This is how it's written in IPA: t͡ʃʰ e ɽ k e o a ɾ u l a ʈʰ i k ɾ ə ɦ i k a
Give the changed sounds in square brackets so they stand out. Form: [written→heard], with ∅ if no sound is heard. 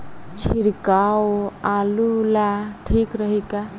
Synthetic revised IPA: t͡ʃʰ [e→i] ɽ k [e→a] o a [ɾ→l] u l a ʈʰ i k ɾ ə ɦ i k a